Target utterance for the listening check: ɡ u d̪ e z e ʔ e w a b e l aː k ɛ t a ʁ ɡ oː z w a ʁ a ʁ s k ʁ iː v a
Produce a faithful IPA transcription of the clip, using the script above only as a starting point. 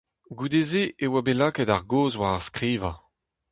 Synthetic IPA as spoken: ɡ u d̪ e z e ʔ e w a b e l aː k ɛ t a ʁ ɡ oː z w a ʁ a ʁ s k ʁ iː v a

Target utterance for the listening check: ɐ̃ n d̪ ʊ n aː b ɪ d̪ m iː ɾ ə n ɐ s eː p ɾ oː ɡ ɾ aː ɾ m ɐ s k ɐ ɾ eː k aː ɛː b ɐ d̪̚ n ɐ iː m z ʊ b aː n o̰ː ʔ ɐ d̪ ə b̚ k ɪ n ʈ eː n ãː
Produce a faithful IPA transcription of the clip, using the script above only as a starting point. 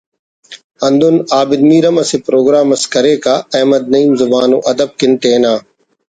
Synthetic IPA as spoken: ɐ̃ n d̪ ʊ n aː b ɪ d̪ m iː ɾ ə m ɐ s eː p ɾ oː ɡ ɾ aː m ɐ s k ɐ ɾ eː k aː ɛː m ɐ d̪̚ n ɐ iː m z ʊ b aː n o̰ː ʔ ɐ d̪ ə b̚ k ɪ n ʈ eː n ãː

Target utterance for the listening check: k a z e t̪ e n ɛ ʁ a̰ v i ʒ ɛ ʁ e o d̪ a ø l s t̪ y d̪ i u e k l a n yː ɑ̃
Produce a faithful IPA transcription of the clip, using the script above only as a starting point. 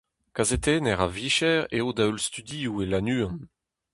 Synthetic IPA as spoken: k a z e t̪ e n ɛ ʁ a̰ v i ʃ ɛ ʁ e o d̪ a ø l s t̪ y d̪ i u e l a n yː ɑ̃

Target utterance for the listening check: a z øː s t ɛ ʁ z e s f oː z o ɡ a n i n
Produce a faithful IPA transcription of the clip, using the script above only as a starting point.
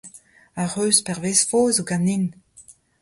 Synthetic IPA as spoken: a ʁ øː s p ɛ ʁ v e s f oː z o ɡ a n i n

